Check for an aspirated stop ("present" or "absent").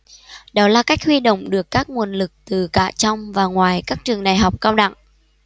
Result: absent